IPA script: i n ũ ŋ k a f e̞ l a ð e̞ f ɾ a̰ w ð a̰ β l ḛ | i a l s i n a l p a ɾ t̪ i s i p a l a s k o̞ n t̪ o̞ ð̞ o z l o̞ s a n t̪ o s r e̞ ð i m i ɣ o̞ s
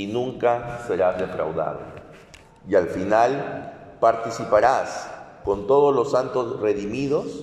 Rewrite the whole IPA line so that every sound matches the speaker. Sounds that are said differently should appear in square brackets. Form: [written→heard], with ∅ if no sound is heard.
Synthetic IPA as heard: i n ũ ŋ k a [f→s] e̞ [l→ɾ] a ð e̞ f ɾ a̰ w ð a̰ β l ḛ | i a l [s→f] i n a l p a ɾ t̪ i s i p a [l→ɾ] a s k o̞ n t̪ o̞ ð̞ o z l o̞ s a n t̪ o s r e̞ ð i m i [ɣ→ð] o̞ s